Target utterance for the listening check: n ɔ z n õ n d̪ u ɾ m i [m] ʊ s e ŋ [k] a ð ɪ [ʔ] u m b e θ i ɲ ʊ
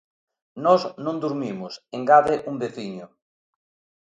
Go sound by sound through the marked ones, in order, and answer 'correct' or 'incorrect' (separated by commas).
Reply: correct, incorrect, correct